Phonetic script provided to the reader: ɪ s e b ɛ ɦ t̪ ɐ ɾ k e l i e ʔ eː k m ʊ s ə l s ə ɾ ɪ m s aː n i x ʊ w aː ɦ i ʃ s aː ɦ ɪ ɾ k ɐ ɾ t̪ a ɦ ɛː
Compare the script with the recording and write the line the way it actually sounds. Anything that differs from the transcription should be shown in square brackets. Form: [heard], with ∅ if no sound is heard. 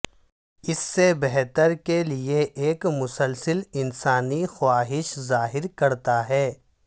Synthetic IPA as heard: ɪ [sː] e b ɛ ɦ t̪ [ə] ɾ k e l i e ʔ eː k m ʊ s ə l s ə [l] ɪ [n] s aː n i x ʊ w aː ɦ [ɪ] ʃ [z] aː ɦ ɪ ɾ k ɐ ɾ t̪ a ɦ ɛː